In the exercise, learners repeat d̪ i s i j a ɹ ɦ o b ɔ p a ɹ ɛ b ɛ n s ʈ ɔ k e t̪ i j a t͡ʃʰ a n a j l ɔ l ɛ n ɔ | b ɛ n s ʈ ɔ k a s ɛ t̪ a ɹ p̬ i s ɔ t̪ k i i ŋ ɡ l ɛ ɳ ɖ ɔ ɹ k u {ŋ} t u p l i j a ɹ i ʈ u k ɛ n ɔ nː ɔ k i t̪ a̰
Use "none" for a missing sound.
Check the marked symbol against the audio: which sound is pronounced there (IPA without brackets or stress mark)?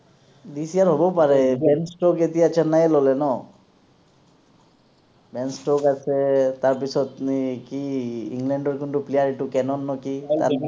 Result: n